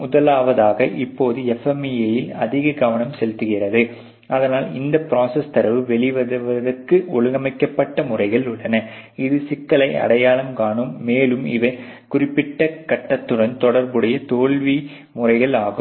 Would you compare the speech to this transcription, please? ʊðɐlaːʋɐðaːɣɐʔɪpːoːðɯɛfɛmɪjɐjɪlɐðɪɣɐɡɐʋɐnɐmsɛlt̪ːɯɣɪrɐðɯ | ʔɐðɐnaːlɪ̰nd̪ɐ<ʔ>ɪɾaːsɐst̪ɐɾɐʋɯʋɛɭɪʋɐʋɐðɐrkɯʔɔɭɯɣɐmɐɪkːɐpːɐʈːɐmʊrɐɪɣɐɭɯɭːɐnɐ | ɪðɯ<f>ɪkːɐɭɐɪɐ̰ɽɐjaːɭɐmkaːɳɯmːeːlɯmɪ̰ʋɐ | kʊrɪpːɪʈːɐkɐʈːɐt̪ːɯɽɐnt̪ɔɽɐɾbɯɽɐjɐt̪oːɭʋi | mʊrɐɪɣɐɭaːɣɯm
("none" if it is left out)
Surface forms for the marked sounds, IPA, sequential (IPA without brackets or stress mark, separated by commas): p, s